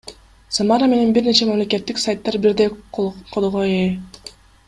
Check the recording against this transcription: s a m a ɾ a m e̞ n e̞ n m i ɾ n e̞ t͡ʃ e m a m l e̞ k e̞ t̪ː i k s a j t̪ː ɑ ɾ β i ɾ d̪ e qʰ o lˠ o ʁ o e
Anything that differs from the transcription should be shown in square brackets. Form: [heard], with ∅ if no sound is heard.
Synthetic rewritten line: s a m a ɾ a m e̞ n e̞ n [b] i ɾ n e̞ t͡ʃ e m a m l e̞ k e̞ t̪ː i k s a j t̪ː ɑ ɾ [b] i ɾ d̪ e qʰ o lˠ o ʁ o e